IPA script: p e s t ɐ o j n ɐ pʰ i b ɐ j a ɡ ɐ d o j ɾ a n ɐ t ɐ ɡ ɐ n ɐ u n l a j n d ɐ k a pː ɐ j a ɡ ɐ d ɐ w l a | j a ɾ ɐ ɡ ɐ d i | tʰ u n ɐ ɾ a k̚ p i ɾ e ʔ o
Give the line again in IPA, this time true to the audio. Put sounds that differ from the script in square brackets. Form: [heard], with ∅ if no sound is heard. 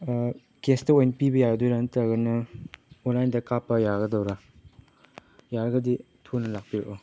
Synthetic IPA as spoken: [k] e s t ɐ o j n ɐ [p] i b ɐ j a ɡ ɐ d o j ɾ a n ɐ t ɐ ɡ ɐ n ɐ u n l a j n d ɐ k a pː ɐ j a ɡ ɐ d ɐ w [ɾ] a | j a ɾ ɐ ɡ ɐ d i | tʰ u n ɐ [l] a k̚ p i ɾ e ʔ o